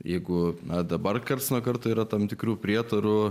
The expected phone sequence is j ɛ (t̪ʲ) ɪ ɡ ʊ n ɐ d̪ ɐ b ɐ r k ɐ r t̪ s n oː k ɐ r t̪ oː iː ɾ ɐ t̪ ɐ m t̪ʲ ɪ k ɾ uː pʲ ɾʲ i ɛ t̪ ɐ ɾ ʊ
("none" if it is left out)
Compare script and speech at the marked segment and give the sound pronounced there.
none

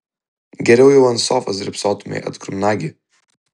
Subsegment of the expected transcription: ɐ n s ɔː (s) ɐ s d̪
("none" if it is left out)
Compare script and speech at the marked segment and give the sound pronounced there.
f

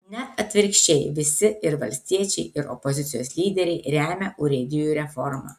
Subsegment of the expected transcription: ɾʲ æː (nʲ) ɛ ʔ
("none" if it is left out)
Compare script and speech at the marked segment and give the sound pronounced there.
mʲ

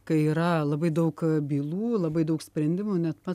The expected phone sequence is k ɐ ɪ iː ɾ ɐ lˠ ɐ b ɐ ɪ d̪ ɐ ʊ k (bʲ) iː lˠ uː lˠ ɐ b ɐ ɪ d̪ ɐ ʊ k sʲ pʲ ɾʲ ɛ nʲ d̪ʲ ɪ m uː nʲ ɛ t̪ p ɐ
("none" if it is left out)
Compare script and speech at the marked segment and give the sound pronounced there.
bʲ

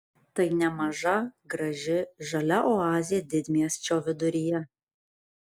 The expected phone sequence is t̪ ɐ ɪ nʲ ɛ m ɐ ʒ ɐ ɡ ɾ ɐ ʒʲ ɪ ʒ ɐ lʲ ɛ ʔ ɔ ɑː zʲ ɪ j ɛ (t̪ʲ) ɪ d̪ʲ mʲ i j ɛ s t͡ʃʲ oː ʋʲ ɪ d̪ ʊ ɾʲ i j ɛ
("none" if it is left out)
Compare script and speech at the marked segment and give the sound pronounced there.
d̪ʲ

